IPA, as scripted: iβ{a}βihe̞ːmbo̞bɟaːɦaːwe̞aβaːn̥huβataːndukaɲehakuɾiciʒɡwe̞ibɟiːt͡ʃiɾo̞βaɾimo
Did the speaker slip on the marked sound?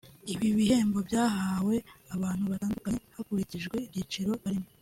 yes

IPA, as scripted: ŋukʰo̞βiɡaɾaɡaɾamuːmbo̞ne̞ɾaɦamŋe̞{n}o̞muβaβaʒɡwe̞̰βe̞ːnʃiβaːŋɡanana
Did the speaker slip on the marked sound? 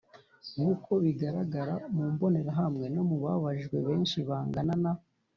no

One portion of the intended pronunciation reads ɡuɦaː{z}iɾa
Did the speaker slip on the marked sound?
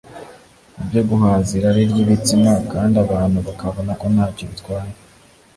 no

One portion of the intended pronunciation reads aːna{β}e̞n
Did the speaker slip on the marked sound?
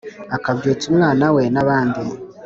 yes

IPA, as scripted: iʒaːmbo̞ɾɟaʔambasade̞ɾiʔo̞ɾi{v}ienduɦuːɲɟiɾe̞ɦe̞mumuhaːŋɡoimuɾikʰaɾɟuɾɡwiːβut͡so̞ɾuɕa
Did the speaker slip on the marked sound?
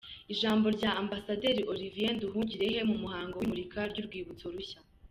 no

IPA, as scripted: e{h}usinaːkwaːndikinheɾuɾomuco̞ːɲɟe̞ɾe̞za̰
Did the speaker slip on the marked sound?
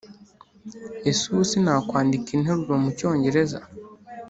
yes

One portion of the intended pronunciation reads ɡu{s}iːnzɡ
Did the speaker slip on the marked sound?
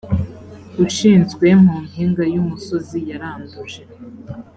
yes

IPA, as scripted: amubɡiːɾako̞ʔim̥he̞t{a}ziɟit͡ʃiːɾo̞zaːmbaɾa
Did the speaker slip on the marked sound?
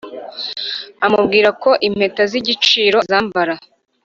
no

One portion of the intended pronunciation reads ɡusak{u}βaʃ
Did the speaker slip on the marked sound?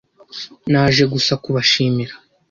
no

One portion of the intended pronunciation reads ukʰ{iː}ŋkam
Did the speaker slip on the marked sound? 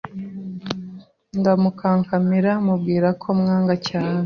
yes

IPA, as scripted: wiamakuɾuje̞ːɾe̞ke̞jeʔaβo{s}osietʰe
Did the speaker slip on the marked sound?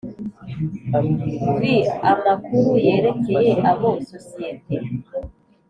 no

